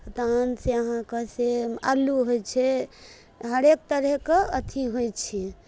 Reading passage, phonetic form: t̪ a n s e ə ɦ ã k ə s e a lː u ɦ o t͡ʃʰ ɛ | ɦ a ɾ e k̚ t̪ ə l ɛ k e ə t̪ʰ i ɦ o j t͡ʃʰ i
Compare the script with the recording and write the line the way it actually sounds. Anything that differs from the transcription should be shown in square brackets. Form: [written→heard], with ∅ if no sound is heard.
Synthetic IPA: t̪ a n s e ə ɦ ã k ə s e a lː u ɦ o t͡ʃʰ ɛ | ɦ [a→ə] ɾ e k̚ t̪ ə [l→ɾ] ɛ k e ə t̪ʰ i ɦ o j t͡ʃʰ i